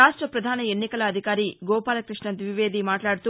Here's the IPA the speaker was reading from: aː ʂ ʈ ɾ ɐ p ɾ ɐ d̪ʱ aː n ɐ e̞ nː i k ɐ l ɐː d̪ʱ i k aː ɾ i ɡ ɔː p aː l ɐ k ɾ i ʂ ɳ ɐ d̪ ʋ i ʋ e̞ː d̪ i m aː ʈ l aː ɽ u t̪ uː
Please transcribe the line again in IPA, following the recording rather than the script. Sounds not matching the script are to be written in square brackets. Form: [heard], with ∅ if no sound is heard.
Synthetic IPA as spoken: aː ʂ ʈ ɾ ɐ p ɾ ɐ d̪ʱ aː n ɐ e̞ nː i k ɐ l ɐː d̪ʱ i k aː ɾ i ɡ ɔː p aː l ɐ k ɾ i ʂ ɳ ɐ d̪ ʋ i ʋ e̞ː d̪ i m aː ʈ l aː ɽ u t̪ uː